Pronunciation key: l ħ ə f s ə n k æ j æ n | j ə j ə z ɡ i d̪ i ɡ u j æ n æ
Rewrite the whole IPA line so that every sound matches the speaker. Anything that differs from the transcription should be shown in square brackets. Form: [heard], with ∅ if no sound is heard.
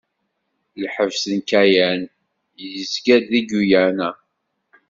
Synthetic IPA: l ħ ə [v] s ə n k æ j æ n | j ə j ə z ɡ [æ] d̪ i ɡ u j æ n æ